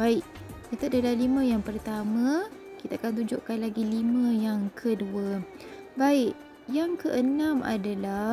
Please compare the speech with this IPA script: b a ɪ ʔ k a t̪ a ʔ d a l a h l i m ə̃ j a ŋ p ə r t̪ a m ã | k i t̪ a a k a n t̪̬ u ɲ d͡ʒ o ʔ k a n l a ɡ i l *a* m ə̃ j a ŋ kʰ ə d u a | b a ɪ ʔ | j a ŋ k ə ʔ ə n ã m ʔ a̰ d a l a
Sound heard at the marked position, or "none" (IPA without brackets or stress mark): i